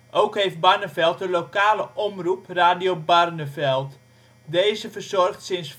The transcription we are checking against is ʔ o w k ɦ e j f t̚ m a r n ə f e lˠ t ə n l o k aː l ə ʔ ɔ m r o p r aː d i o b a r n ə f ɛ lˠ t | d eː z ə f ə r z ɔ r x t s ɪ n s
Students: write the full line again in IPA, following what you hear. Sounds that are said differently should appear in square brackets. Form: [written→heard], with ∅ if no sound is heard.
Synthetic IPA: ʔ o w k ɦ e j f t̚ [m→b] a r n ə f [e→ɛ] lˠ t ə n l o k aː l ə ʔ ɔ m r [o→u] p r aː d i o b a r n ə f ɛ lˠ t | d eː z ə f ə r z ɔ r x t s ɪ n s